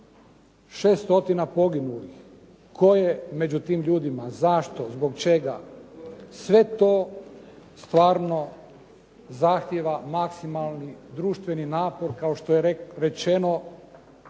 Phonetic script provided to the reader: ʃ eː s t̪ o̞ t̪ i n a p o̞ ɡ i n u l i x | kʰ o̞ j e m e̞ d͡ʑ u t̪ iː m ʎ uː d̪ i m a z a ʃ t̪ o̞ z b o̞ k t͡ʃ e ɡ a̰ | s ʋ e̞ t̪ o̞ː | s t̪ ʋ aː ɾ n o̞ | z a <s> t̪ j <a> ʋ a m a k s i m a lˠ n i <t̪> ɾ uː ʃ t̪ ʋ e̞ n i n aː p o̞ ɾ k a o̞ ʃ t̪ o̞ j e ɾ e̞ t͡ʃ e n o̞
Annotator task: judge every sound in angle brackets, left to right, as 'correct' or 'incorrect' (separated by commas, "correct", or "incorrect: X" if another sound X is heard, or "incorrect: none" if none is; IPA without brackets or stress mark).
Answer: incorrect: x, incorrect: e, incorrect: d̪